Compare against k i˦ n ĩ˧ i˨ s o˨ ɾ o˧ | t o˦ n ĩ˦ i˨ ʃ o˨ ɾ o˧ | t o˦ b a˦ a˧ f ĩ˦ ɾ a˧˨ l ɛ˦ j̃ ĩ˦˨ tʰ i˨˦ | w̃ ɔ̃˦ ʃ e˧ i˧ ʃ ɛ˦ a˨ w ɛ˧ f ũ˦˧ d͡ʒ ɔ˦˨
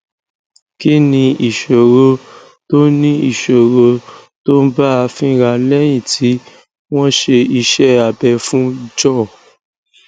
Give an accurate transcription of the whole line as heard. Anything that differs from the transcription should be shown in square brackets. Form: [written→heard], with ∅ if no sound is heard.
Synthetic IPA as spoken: k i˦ n ĩ˧ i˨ [s→ʃ] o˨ ɾ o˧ | t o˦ n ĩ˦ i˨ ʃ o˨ ɾ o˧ | t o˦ b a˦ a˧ f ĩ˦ ɾ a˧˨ l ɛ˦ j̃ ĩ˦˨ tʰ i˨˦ | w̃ ɔ̃˦ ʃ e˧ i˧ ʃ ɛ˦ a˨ [w→b] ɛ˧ f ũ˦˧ d͡ʒ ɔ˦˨